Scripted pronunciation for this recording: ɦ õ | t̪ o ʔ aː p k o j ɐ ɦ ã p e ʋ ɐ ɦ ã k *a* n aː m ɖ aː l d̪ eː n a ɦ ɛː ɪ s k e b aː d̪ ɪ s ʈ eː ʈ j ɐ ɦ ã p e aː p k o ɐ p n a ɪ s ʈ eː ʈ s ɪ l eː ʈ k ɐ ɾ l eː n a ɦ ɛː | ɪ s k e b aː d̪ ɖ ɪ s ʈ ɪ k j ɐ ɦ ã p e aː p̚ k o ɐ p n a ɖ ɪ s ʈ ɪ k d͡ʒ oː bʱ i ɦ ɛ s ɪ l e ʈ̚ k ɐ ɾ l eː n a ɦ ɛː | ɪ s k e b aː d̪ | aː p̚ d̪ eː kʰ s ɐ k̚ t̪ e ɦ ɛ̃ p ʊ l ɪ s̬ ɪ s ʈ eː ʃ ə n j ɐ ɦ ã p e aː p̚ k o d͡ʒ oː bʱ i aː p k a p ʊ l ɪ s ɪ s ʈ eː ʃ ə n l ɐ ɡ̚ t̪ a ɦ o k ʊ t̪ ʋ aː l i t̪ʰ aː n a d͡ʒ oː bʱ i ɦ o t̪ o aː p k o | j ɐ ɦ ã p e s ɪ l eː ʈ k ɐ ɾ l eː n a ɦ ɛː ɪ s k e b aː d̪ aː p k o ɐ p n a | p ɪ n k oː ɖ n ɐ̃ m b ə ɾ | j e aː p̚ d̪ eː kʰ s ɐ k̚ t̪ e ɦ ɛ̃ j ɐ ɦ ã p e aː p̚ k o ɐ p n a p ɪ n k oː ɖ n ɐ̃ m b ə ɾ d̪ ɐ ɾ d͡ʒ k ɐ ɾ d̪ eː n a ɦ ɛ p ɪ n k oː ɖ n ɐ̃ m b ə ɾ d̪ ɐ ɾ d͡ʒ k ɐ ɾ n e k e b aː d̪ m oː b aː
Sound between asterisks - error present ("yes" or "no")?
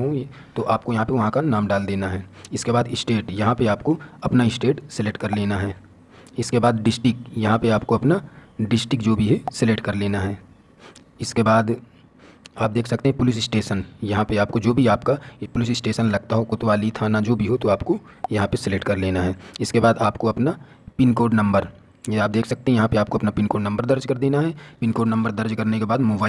no